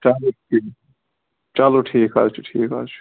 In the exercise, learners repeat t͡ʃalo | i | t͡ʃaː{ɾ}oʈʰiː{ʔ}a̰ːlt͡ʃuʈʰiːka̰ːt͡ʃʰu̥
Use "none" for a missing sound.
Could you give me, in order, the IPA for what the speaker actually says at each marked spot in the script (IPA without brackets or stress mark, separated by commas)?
l, k